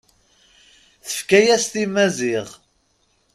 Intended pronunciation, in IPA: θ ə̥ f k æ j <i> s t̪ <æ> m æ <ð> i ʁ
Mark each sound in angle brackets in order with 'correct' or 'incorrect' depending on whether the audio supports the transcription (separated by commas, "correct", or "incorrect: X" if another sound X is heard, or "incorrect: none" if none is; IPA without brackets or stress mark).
incorrect: æ, incorrect: i, incorrect: z